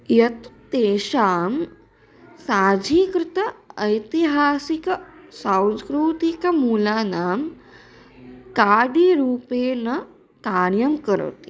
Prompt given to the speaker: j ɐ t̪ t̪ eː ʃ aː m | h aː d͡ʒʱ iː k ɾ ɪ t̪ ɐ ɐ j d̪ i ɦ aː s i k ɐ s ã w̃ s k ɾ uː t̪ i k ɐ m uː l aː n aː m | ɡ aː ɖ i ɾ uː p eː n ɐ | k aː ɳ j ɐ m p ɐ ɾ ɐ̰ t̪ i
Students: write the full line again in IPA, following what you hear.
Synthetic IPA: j ɐ t̪ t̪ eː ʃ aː m | s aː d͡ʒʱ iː k ɾ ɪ t̪ ɐ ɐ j t̪ i ɦ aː s i k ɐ s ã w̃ s k ɾ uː t̪ i k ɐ m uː l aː n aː m | k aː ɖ i ɾ uː p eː n ɐ | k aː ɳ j ɐ m k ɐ ɾ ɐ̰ t̪ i